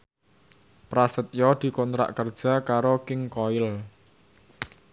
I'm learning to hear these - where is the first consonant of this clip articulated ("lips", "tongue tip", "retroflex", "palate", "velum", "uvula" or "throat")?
lips